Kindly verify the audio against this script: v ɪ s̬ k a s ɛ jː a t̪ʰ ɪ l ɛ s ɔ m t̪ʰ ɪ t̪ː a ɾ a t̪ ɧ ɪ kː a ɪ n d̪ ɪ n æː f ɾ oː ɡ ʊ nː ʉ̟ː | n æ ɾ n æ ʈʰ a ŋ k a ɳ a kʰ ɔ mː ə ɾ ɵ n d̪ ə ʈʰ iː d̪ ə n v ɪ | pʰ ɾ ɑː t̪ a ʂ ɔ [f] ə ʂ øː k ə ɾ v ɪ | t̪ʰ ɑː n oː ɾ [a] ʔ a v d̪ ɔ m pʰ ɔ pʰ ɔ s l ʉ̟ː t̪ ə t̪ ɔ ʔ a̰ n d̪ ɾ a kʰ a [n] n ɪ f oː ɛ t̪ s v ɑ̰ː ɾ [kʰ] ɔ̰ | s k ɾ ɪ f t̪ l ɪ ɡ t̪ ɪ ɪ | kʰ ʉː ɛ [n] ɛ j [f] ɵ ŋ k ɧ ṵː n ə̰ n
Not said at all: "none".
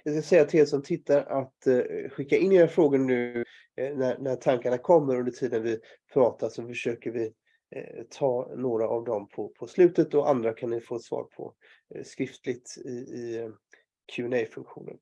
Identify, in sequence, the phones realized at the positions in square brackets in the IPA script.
f, a, n, pʰ, n, f

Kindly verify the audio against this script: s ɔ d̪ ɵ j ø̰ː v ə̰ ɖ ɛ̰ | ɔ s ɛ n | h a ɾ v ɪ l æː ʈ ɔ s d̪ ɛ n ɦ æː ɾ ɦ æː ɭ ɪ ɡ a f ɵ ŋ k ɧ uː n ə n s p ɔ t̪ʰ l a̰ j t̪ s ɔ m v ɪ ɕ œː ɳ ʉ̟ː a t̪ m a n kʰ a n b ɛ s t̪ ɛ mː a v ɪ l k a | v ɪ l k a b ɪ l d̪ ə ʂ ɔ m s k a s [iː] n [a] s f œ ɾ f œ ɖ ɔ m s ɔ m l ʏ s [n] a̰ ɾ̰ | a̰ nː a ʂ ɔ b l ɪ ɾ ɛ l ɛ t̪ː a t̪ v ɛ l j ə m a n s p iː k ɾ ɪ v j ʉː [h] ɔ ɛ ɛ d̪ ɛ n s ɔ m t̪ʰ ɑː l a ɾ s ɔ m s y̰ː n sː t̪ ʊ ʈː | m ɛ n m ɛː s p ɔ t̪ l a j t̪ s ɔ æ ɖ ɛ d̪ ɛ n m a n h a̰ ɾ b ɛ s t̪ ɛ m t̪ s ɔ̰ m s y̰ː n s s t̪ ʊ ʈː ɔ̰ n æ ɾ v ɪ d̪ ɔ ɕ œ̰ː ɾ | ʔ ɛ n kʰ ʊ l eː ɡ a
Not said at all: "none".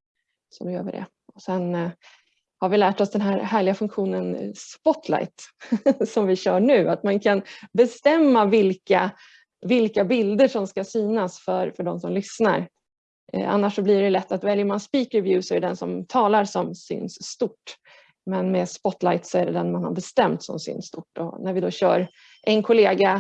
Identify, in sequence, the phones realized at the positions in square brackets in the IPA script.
yː, a, n, s

